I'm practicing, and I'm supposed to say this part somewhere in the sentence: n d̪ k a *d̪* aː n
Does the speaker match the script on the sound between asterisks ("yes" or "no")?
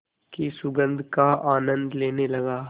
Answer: no